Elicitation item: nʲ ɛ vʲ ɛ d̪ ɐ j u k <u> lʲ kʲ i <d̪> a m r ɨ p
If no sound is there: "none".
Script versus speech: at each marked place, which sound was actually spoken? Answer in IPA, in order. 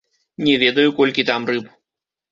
ɔ, t̪

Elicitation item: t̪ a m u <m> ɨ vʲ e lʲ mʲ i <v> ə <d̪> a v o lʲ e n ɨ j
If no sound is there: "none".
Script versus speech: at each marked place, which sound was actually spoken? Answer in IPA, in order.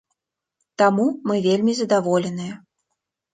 m, z, d̪

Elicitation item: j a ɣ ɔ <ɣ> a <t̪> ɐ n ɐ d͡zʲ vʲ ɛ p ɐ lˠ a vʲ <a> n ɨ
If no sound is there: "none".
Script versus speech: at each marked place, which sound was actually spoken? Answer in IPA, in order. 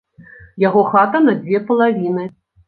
x, t̪, i

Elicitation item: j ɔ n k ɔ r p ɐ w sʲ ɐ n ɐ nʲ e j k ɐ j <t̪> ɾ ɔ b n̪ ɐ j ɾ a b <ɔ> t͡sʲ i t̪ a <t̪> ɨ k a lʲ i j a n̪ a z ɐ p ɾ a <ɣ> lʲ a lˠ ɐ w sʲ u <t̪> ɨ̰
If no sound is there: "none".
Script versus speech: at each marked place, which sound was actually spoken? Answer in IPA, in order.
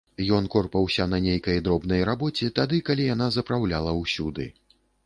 d̪, ɔ, d̪, w, d̪

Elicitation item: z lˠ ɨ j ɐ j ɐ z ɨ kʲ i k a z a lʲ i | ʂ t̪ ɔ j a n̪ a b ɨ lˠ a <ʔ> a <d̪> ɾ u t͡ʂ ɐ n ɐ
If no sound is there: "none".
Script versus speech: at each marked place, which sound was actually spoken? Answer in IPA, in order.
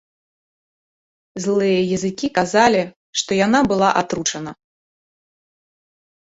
ʔ, t̪

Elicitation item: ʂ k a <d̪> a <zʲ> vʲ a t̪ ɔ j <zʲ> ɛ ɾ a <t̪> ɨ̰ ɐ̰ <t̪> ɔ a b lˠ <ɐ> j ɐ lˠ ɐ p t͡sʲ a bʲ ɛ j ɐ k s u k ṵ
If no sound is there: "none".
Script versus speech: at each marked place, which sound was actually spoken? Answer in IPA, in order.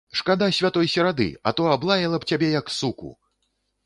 d̪, sʲ, sʲ, d̪, t̪, a

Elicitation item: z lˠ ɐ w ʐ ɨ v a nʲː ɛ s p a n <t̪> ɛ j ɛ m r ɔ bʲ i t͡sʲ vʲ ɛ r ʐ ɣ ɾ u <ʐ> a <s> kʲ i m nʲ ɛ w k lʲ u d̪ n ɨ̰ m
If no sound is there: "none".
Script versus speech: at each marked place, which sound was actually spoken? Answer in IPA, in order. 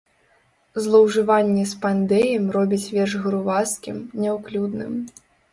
d̪, v, s

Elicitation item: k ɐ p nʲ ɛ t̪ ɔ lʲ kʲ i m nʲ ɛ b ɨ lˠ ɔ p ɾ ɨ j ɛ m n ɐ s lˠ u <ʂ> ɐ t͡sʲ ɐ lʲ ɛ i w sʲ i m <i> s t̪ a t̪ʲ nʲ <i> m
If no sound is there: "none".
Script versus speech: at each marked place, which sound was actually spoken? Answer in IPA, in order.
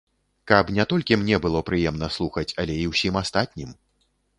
x, a, i

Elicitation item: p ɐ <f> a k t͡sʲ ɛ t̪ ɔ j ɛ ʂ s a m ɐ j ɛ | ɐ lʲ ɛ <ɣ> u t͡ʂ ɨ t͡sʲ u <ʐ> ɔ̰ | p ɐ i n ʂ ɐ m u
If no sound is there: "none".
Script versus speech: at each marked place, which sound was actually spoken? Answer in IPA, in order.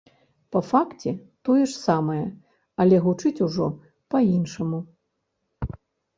f, ɣ, ʐ

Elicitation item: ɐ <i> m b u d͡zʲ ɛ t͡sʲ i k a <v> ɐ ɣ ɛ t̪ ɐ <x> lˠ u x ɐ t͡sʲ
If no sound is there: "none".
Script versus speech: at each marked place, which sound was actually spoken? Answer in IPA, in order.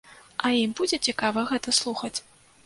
i, v, s

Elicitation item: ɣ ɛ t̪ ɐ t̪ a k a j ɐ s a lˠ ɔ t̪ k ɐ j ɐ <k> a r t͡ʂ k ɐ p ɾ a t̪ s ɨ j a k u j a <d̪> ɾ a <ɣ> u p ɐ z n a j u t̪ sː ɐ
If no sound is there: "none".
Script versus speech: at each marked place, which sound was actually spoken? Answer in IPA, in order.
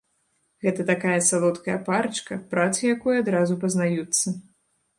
p, d̪, z

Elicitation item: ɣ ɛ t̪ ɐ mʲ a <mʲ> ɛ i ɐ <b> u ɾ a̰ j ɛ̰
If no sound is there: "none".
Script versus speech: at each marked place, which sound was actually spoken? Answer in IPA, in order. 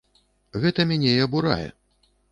nʲ, b

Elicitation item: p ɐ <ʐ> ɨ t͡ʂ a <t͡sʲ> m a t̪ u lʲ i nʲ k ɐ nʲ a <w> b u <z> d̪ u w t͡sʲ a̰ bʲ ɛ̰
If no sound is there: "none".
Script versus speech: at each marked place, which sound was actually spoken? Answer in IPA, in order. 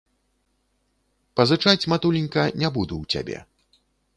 z, t͡sʲ, none, none

